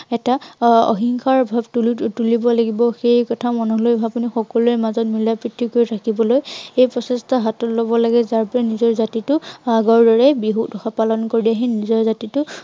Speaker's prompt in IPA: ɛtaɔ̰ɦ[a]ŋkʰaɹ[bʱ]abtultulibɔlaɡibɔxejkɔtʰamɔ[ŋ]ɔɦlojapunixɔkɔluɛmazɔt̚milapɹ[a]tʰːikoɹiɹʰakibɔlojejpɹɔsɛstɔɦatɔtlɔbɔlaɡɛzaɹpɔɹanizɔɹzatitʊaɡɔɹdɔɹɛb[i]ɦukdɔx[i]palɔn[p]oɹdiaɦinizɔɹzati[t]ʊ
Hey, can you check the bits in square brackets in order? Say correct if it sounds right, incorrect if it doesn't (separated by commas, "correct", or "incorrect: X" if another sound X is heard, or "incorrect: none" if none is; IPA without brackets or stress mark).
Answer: incorrect: i, correct, incorrect: n, incorrect: i, correct, incorrect: a, incorrect: k, correct